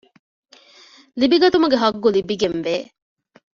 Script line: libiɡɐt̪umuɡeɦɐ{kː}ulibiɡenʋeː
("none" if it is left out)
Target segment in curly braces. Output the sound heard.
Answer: ɡː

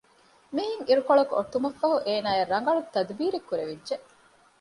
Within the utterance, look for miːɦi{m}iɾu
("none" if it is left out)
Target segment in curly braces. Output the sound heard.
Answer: ŋ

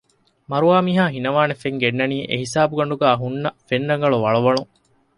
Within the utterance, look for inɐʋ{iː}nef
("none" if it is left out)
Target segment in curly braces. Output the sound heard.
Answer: aː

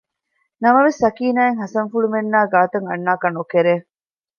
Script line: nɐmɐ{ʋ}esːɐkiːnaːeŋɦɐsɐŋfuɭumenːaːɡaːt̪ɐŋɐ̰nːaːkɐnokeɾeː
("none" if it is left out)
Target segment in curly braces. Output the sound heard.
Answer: ʋ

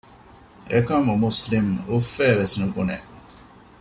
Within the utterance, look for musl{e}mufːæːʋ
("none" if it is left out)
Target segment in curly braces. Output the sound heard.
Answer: i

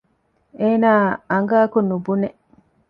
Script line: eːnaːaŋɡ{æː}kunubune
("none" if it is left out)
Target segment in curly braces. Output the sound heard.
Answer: aː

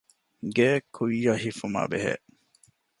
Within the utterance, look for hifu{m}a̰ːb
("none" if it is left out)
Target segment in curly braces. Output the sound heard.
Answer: m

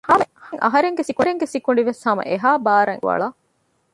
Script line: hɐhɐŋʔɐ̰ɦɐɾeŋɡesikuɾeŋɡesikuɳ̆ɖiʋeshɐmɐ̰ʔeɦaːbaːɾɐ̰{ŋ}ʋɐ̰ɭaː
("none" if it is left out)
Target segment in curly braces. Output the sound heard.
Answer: ŋ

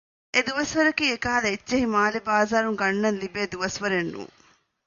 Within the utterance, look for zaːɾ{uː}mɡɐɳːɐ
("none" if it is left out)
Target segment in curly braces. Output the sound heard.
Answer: u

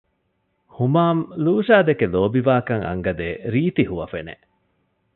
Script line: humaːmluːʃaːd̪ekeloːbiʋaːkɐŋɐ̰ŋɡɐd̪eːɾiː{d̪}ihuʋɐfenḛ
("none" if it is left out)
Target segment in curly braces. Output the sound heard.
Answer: t̪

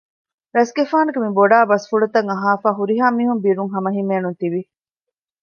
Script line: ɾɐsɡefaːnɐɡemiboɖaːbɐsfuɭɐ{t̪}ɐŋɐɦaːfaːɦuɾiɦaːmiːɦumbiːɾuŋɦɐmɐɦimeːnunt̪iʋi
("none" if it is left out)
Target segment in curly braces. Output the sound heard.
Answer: t̪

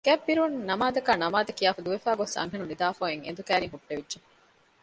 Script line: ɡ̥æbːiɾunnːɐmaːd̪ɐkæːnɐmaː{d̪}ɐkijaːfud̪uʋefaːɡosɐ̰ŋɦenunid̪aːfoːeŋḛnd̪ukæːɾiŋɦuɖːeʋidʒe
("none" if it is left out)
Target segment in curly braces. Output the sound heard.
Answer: d̪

